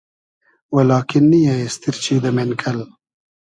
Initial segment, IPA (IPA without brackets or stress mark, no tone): w